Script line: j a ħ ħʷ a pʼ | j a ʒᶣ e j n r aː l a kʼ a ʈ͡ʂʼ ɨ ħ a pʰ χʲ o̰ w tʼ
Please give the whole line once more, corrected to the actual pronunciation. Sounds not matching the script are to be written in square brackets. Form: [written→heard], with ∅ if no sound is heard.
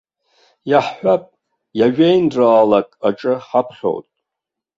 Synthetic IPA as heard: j a ħ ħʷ a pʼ | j a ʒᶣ e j n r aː l a kʼ a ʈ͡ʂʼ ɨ ħ a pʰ χʲ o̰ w tʼ